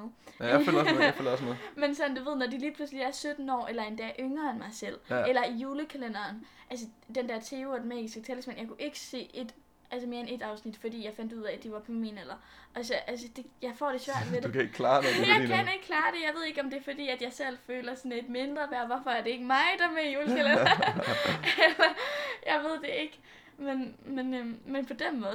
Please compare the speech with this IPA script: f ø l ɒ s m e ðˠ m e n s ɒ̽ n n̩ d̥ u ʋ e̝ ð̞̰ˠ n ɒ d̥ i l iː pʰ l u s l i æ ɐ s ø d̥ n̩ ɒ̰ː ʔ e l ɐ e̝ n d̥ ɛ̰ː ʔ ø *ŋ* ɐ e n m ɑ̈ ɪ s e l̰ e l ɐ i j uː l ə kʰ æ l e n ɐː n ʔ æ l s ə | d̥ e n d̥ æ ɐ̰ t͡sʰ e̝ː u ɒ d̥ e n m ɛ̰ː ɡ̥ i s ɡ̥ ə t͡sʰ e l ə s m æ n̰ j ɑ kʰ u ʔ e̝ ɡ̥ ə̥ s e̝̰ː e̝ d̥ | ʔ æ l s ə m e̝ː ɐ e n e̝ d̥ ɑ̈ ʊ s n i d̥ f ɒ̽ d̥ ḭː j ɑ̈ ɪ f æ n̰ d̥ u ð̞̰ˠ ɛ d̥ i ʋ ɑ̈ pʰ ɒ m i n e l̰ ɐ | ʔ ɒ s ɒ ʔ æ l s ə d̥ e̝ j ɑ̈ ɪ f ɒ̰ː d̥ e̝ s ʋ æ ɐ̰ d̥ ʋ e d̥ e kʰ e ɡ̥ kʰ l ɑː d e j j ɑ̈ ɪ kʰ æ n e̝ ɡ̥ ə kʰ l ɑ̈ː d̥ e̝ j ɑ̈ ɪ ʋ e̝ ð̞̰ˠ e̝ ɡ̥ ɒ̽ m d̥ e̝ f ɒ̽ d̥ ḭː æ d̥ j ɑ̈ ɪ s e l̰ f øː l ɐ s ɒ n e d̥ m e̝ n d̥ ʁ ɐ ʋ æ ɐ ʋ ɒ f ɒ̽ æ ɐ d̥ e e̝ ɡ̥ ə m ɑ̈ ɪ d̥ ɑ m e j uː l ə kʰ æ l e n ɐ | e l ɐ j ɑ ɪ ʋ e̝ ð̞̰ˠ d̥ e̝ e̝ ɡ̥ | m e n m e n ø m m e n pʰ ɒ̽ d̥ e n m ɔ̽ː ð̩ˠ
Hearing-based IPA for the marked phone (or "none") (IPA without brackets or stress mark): ŋ